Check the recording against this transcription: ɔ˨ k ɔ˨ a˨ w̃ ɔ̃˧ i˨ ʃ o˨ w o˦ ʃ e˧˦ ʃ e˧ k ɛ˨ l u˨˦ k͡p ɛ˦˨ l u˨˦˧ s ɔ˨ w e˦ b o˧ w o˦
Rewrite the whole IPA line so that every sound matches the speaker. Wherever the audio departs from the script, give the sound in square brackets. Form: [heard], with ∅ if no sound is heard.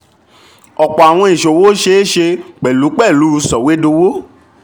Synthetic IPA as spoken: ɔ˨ [k͡p] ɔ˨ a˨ w̃ ɔ̃˧ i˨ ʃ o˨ w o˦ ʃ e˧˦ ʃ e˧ [k͡p] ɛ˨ l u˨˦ k͡p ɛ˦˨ l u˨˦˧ s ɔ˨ w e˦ [d] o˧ w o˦